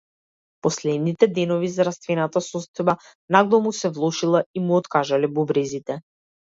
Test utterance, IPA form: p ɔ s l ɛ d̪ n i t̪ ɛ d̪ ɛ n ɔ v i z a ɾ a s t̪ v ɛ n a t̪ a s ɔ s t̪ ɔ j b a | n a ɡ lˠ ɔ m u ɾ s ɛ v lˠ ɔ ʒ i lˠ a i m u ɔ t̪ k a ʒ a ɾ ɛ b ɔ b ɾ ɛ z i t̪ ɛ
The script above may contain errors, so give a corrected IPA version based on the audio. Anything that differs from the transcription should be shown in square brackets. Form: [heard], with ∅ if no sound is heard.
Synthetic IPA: p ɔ s l ɛ d̪ n i t̪ ɛ d̪ ɛ n ɔ v i z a ɾ a s t̪ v ɛ n a t̪ a s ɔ s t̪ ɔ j b a | n a ɡ lˠ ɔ m u [∅] s ɛ v lˠ ɔ [ʃ] i lˠ a i m u ɔ t̪ k a ʒ a [l] ɛ b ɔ b ɾ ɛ z i t̪ ɛ